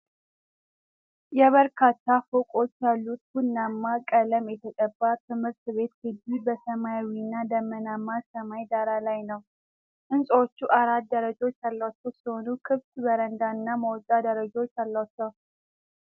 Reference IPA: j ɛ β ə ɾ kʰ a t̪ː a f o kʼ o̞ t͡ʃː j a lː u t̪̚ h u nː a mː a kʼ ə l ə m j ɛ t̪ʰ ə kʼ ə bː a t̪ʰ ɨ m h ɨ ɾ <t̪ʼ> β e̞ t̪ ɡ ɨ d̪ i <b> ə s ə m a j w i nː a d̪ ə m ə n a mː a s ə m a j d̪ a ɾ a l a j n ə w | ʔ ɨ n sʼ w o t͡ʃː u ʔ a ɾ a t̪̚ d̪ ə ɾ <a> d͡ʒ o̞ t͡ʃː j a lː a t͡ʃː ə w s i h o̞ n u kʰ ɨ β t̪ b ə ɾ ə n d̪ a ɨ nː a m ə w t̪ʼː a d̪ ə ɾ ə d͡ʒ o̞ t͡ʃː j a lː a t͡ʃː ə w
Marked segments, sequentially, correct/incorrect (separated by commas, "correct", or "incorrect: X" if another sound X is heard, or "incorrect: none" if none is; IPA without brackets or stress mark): incorrect: t̪, correct, incorrect: ə